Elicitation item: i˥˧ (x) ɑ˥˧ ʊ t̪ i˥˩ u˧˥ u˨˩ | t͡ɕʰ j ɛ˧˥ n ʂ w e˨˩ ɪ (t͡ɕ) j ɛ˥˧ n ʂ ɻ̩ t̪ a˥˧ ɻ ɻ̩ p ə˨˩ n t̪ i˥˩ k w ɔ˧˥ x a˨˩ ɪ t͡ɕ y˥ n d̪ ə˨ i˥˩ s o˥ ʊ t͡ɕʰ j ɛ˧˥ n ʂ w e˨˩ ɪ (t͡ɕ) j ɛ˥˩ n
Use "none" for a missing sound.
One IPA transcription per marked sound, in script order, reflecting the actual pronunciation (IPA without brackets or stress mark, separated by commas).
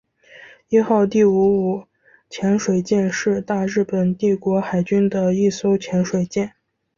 x, t͡ɕ, t͡ɕ